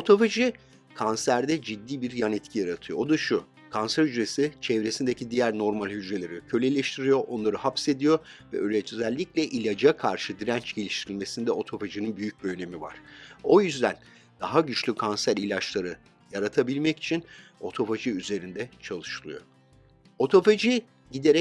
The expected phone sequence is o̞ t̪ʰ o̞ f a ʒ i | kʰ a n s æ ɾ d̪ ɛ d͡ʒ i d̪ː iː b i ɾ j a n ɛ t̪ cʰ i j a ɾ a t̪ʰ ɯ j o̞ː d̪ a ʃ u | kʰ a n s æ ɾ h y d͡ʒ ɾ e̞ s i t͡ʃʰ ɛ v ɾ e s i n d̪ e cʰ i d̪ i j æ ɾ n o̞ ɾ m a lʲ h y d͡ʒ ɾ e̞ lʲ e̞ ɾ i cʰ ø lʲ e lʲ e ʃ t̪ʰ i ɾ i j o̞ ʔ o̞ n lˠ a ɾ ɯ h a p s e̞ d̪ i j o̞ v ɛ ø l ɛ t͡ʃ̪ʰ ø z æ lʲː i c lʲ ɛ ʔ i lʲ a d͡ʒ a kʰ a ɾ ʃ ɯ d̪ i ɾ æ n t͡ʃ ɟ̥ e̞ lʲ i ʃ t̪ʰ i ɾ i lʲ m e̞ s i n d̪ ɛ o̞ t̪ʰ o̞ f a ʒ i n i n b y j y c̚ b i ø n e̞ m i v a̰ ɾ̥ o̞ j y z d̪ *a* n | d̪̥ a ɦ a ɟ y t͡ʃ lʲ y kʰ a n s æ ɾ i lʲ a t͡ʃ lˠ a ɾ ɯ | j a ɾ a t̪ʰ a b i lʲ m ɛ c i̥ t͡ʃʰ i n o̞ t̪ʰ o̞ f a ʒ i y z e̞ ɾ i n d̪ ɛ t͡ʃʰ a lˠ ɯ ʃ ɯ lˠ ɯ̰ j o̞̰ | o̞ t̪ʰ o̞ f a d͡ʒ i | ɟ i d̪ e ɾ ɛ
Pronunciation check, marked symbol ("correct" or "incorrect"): incorrect